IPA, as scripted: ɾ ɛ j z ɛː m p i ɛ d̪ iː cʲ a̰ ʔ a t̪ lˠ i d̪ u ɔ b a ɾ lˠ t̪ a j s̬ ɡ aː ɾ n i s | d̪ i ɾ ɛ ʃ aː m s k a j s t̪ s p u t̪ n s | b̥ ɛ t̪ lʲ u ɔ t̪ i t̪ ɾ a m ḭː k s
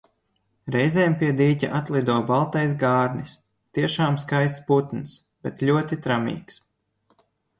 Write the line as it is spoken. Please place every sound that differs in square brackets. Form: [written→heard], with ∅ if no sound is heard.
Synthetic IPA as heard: ɾ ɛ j z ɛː m p i ɛ d̪ iː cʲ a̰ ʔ a t̪ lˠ i d̪ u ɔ b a [ɾ→∅] lˠ t̪ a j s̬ ɡ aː ɾ n i s | [d̪→t̪] i [ɾ→∅] ɛ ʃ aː m s k a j s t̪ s p u t̪ n s | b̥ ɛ t̪ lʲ u ɔ t̪ i t̪ ɾ a m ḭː k s